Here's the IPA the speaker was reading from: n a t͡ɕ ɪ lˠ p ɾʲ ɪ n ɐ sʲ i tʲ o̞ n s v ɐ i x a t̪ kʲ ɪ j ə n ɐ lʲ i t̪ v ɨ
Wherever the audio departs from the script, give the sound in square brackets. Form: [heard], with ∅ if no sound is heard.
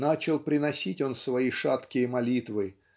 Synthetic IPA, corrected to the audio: n a t͡ɕ ɪ lˠ p ɾʲ ɪ n ɐ sʲ i tʲ o̞ n s v ɐ i [ʂ] a t̪ kʲ ɪ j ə [m] ɐ lʲ i t̪ v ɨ